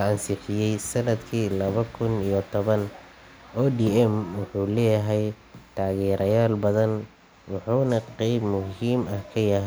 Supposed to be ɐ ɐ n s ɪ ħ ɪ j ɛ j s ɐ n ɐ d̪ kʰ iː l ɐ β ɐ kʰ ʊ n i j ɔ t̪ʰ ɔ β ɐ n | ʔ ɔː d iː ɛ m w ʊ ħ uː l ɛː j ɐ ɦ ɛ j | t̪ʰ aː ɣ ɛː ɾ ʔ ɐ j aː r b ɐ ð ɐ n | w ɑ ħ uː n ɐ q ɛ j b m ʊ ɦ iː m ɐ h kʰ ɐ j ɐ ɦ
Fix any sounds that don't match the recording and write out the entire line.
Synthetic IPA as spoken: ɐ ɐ n s ɪ ħ ɪ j ɛ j s ɐ n ɐ d̪ kʰ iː l ɐ β ɐ kʰ ʊ n i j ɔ t̪ʰ ɔ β ɐ n | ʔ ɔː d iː ɛ m w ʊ ħ uː l ɛː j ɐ ɦ ɛ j | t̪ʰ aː ɣ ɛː ɾ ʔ ɐ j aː l b ɐ ð ɐ n | w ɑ ħ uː n ɐ q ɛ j b m ʊ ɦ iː m ɐ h kʰ ɐ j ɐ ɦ

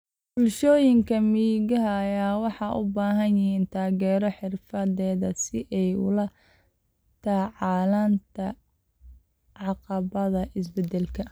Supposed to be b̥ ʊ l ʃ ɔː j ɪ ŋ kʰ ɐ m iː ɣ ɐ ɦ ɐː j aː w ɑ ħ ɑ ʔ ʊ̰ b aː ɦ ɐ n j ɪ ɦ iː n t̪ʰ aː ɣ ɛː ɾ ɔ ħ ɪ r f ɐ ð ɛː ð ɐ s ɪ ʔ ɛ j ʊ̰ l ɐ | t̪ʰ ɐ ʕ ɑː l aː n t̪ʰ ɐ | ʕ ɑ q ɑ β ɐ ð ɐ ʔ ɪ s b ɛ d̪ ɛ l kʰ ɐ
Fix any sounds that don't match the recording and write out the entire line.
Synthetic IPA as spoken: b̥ ʊ l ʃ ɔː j ɪ ŋ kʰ ɐ m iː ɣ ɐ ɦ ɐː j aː w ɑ ħ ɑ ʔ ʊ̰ b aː ɦ ɐ n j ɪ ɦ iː n t̪ʰ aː ɣ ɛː ɾ ɔ ħ ɪ r f ɐ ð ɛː ð ɐ s ɪ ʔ ɛ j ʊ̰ l ɐ | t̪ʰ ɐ ʕ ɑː l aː n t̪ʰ ɐ | ʕ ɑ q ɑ β ɐ ð ɐ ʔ ɪ s b ɛ d̪ ɛ l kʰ ɐ

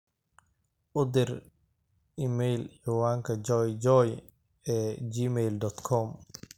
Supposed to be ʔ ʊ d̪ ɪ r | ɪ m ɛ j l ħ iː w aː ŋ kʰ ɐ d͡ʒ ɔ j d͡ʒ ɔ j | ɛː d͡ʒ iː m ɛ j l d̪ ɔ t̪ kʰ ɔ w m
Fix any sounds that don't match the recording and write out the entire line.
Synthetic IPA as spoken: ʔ ʊ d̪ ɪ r | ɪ m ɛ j l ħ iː w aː ŋ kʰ ɐ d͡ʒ ɔ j d͡ʒ ɔ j | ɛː d͡ʒ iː m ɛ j l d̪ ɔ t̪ kʰ ɔ m

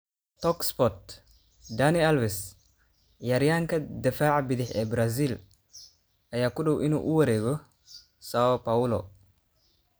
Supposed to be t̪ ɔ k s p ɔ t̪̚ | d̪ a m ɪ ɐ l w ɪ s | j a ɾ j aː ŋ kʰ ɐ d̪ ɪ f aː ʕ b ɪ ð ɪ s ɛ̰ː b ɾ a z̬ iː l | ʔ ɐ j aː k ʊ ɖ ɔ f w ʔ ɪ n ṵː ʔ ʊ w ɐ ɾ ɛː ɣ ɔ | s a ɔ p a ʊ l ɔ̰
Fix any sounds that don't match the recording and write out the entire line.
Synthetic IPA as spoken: t̪ ɔ k s p ɔ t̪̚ | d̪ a n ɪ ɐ l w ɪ s | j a ɾ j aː ŋ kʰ ɐ d̪ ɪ f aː ʕ b ɪ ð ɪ ħ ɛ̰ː b ɾ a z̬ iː l | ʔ ɐ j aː k ʊ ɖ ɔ w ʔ ɪ n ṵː ʔ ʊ w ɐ ɾ ɛː ɣ ɔ | s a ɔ p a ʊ l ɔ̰

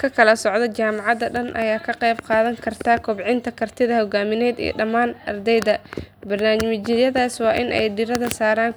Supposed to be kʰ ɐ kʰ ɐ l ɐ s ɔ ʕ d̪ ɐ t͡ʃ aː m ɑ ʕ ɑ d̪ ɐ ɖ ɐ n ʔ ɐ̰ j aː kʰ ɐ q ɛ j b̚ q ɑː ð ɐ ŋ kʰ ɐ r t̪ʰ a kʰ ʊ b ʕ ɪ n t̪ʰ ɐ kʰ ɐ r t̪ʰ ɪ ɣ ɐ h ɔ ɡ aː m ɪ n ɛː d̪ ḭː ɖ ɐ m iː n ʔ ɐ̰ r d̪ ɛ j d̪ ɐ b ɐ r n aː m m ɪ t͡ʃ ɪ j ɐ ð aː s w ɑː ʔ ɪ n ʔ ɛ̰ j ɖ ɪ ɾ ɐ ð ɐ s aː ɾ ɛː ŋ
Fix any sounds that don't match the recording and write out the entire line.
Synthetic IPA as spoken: kʰ ɐ kʰ ɐ l ɐ s ɔ ʕ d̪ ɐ t͡ʃ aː m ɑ ʕ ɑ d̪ ɐ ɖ ɐ n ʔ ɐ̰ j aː kʰ ɐ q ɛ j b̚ q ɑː ð ɐ ŋ kʰ ɐ r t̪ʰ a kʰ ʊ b ʕ ɪ n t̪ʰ ɐ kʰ ɐ r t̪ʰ ɪ ð ɐ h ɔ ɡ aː m ɪ n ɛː d̪ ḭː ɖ ɐ m aː n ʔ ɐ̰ r d̪ ɛ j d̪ ɐ b ɐ r n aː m m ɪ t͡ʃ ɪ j ɐ ð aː s w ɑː ʔ ɪ n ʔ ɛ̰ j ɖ ɪ ɾ ɐ ð ɐ s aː ɾ aː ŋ

